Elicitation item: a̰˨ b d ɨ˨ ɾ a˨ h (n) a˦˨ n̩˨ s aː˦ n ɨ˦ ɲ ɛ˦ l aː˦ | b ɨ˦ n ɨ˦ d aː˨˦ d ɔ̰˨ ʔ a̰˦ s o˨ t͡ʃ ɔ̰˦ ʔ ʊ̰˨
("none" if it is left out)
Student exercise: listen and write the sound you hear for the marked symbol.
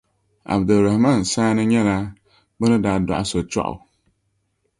m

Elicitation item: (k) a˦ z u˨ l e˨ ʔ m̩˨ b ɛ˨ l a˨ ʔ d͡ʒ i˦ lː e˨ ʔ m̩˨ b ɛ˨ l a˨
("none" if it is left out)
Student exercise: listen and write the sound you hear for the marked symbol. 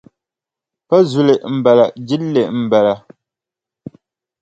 p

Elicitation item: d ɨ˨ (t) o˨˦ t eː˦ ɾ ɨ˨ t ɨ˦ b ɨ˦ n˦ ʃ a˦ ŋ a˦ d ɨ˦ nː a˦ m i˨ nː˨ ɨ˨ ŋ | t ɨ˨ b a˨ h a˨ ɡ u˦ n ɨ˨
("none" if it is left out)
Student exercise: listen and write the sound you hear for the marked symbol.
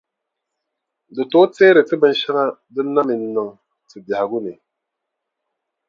t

